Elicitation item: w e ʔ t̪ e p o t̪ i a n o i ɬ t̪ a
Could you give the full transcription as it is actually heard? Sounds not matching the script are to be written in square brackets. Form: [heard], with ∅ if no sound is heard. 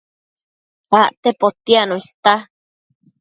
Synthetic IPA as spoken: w [a] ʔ t̪ e p o t̪ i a n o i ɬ t̪ a